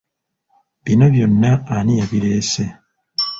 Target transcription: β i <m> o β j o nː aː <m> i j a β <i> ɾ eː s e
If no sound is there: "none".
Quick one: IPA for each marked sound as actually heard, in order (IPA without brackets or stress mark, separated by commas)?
n, n, i